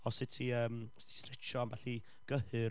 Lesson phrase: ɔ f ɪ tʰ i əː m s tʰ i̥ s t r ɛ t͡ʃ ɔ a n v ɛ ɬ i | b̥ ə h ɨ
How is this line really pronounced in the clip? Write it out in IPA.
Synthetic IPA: ɔ s ɪ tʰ i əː m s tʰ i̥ s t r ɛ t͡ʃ ɔ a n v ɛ ɬ i | ɡ̥ ə h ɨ